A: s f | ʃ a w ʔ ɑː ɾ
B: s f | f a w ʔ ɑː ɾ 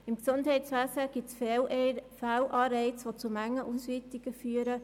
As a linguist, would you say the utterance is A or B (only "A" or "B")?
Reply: B